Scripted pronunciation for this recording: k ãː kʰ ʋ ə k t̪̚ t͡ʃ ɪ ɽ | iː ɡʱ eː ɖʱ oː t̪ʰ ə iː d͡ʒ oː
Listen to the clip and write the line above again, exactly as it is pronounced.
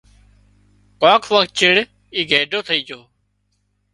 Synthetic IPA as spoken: k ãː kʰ ʋ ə k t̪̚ t͡ʃ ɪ ɽ | iː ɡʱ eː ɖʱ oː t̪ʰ ə iː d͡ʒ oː